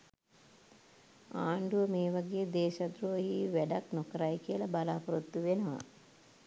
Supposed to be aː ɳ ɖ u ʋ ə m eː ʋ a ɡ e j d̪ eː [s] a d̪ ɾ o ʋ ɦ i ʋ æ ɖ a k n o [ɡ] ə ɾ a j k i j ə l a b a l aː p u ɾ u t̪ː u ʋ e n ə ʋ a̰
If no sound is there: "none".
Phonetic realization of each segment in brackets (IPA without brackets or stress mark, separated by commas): ʃ, k